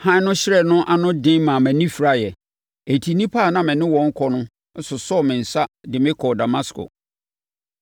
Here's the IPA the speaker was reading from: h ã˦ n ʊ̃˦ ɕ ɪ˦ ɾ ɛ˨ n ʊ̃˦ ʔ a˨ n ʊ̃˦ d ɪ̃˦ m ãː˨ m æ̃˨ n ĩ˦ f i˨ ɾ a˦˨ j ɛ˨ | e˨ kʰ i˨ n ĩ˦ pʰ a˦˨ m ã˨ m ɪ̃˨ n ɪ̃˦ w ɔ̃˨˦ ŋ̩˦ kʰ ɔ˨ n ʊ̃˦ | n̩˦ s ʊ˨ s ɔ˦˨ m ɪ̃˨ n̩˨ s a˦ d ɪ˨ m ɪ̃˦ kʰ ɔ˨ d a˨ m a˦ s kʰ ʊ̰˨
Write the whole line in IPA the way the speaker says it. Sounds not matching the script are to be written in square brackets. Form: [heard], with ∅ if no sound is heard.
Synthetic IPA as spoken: h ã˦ n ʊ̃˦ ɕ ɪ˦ ɾ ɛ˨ n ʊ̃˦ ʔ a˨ n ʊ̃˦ d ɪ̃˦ m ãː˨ m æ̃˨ n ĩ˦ f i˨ ɾ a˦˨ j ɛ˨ | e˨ [tʰ] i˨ n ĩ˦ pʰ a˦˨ [n] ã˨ m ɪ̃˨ n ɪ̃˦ w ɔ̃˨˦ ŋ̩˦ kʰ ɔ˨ n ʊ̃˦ | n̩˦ s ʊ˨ s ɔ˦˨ m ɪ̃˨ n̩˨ s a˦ d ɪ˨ m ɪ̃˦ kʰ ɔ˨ d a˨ m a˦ s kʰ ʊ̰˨